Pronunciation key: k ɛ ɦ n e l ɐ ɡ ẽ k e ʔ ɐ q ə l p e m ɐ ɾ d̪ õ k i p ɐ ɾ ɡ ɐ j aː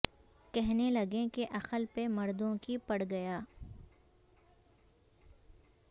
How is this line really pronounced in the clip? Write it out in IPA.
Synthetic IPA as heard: k ɛ ɦ n e l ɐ ɡ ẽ k e ʔ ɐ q ə l p e m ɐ ɾ d̪ õ k i p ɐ ɽ ɡ ɐ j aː